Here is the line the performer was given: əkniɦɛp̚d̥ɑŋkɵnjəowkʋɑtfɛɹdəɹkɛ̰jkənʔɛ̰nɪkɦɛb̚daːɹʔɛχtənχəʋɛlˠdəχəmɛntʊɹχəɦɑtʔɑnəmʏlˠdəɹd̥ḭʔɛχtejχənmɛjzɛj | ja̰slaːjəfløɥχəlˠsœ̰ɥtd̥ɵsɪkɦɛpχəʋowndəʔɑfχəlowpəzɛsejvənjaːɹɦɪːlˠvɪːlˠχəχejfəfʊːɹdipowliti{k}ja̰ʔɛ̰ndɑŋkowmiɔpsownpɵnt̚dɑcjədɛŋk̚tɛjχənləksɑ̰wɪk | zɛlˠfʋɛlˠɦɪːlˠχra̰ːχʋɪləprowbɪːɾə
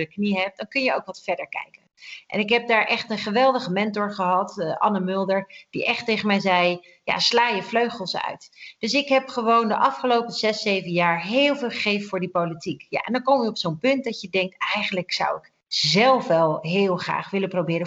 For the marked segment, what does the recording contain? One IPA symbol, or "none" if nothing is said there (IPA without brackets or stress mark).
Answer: k